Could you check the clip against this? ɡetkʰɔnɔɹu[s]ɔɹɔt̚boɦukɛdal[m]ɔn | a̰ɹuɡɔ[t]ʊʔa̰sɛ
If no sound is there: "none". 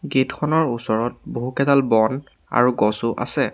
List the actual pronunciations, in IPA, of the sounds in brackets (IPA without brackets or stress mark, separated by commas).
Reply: s, b, s